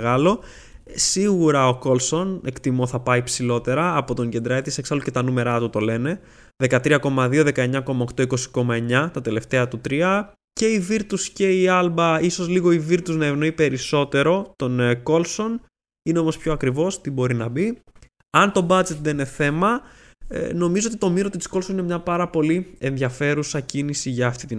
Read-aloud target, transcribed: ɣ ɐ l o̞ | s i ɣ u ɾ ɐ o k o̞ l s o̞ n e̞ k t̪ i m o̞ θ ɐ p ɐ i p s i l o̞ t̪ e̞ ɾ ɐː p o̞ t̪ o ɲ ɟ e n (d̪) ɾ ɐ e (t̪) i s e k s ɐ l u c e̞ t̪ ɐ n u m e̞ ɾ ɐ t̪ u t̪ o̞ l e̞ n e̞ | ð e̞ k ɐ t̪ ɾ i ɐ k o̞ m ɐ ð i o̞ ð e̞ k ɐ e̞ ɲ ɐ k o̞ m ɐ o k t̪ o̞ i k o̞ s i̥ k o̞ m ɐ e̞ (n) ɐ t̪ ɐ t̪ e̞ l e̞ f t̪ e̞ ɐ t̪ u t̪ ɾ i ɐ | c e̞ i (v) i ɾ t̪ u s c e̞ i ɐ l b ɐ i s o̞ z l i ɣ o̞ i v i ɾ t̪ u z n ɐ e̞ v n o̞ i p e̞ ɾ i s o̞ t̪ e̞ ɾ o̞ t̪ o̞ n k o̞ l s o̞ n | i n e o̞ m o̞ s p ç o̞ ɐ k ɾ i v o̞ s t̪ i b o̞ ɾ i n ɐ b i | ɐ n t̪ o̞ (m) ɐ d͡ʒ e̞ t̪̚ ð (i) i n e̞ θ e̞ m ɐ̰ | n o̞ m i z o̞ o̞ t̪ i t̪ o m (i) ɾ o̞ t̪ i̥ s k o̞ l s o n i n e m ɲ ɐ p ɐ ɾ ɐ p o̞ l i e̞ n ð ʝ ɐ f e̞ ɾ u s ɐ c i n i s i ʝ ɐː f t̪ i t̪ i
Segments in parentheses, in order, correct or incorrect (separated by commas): correct, correct, incorrect, correct, incorrect, incorrect, correct